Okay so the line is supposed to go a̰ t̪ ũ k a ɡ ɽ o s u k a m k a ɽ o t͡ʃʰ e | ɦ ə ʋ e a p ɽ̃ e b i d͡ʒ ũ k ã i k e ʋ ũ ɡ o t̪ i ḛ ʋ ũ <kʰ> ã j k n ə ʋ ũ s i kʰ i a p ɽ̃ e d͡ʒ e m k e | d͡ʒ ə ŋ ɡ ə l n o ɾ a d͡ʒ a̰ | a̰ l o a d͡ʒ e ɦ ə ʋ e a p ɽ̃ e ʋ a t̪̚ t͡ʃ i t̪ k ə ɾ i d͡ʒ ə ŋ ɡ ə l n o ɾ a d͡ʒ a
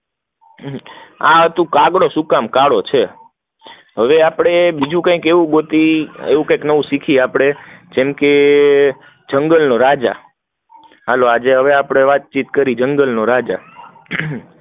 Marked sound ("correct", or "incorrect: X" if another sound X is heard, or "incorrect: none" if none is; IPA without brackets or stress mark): incorrect: k